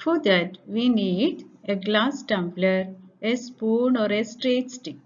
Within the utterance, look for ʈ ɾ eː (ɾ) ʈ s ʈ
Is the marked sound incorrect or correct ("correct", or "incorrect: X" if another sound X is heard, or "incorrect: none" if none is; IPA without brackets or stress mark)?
incorrect: none